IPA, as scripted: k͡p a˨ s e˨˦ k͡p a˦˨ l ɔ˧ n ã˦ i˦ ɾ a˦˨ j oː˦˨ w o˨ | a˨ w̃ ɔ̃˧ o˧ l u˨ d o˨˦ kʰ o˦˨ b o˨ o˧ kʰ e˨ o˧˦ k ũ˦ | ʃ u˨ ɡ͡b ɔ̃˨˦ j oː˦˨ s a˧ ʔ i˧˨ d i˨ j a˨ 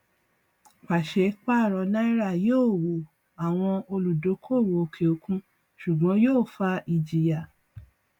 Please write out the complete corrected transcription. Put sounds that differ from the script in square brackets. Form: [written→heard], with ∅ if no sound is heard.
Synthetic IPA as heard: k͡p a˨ [s→ʃ] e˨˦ k͡p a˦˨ [l→ɾ] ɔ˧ n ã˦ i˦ ɾ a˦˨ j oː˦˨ w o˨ | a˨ w̃ ɔ̃˧ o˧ l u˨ d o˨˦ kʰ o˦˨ [b→w] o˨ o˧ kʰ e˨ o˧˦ k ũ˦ | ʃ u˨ ɡ͡b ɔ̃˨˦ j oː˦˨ [s→f] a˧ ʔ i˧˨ [d→d͡ʒ] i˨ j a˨